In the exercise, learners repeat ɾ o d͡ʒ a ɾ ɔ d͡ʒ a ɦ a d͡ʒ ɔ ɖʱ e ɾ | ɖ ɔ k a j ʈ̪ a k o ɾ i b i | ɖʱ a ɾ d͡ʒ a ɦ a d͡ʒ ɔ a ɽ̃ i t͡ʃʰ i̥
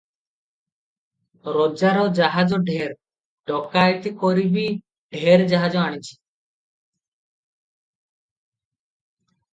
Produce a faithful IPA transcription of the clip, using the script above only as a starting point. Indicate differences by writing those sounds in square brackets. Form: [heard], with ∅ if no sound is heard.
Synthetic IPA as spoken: ɾ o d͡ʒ a ɾ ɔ d͡ʒ a ɦ a d͡ʒ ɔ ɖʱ e ɾ | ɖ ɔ k a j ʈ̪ [i] k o ɾ i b i | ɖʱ [e] ɾ d͡ʒ a ɦ a d͡ʒ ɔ a ɽ̃ i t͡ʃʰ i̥